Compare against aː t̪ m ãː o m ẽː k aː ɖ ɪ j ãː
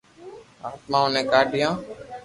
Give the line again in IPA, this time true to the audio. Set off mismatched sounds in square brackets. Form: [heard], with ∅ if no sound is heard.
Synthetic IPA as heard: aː t̪ m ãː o [n] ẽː k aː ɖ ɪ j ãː

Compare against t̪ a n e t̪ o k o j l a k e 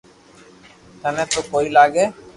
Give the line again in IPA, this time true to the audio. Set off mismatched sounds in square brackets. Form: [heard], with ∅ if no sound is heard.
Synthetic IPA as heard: t̪ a n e t̪ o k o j l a [ɡ] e

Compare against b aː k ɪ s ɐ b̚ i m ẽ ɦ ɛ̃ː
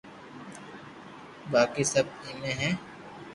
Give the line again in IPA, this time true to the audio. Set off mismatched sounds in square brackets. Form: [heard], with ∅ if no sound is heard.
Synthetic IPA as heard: b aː k [i] s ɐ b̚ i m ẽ ɦ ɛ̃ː

